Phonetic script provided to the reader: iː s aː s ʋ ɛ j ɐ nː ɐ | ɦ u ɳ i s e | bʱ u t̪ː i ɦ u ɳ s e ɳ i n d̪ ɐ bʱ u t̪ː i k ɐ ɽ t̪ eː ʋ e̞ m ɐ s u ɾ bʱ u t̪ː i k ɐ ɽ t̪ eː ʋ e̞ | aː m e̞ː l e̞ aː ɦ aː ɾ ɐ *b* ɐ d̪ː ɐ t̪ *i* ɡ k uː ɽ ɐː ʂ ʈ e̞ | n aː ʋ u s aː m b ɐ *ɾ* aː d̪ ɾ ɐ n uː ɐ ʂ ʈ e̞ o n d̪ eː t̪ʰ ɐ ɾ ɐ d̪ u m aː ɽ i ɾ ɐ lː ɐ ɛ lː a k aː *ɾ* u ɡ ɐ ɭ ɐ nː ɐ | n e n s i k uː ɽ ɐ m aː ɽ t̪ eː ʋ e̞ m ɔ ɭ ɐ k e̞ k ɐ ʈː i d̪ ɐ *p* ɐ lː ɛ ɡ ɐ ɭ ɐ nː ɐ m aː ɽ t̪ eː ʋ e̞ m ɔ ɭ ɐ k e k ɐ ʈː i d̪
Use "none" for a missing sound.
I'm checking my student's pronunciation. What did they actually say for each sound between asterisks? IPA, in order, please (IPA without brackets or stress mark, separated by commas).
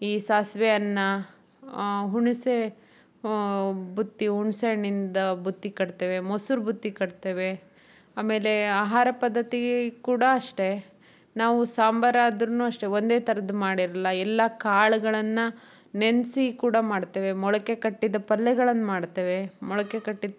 p, i, ɾ, ɭ, p